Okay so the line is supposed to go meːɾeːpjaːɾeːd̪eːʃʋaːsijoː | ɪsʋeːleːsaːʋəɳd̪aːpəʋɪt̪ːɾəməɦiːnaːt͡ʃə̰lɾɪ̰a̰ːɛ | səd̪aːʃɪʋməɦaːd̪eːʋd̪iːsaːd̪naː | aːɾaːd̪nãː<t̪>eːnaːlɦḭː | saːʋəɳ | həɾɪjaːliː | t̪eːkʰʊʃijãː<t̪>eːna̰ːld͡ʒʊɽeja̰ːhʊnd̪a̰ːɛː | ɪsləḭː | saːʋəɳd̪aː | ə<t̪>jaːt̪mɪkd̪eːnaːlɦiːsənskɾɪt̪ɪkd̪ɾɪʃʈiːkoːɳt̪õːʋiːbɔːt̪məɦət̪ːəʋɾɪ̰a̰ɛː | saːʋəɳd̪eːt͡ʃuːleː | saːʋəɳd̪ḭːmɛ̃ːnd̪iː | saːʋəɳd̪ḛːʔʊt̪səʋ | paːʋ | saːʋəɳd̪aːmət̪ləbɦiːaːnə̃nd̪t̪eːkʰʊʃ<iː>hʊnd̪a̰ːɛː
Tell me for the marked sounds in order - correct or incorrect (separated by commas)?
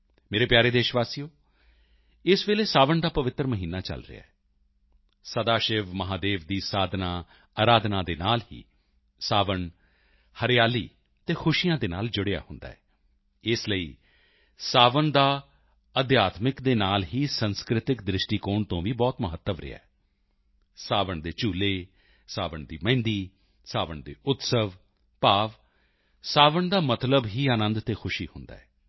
incorrect, incorrect, incorrect, correct